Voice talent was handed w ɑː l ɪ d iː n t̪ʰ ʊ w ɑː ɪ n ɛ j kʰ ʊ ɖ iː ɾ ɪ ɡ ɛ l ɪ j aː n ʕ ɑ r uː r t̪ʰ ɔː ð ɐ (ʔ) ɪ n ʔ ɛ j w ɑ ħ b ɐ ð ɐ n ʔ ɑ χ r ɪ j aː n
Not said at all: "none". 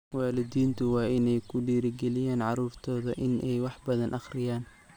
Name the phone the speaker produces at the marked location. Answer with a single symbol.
ʔ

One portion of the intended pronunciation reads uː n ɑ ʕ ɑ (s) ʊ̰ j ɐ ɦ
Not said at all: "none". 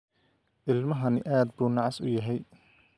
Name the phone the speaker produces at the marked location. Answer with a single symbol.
s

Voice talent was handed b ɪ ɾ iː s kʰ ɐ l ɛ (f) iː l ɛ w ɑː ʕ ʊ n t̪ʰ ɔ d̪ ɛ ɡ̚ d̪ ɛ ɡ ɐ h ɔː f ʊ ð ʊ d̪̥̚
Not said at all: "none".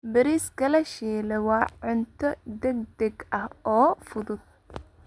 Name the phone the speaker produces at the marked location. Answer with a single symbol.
ʃ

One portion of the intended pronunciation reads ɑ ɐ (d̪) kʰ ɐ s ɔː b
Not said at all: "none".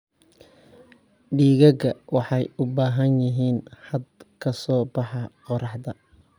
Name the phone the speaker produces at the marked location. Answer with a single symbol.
d̪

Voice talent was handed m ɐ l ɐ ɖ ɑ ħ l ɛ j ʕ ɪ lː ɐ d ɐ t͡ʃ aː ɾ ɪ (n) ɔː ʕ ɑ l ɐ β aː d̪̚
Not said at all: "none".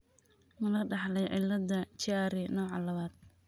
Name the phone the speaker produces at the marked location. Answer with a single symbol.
n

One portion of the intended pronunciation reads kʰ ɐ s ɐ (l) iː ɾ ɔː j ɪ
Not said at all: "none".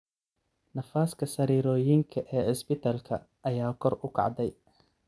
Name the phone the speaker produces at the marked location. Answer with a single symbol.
ɾ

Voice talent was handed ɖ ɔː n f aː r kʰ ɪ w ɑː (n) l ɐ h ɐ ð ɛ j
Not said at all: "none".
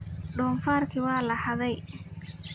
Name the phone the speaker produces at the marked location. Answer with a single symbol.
none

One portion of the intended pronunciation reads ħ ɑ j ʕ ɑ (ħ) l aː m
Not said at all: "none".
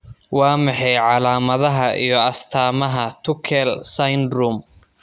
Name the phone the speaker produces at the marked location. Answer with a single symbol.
none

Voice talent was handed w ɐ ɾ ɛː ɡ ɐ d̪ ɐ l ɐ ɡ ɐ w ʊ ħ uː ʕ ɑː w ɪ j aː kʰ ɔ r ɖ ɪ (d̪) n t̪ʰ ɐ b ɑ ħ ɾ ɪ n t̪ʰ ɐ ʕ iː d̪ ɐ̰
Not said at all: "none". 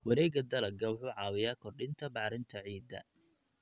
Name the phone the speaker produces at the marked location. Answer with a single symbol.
none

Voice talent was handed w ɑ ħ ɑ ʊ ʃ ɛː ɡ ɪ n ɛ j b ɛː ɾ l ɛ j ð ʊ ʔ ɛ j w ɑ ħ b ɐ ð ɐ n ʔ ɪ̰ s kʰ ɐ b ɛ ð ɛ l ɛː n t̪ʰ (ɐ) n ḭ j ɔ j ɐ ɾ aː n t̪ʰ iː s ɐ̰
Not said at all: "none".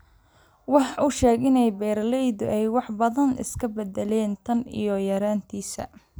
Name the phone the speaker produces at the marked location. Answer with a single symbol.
ɐ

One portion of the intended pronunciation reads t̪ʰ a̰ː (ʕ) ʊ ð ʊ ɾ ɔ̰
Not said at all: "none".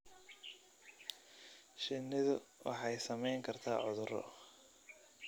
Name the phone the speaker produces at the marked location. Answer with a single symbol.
ʕ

